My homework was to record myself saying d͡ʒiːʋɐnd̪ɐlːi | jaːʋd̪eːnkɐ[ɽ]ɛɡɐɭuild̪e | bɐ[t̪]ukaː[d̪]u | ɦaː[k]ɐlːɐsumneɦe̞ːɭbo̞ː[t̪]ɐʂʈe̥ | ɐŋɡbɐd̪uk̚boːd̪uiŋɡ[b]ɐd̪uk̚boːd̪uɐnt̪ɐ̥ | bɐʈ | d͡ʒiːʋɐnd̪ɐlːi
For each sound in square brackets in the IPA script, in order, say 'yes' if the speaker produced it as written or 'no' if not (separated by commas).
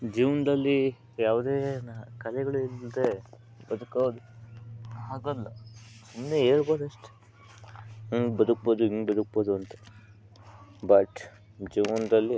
no, no, yes, no, no, yes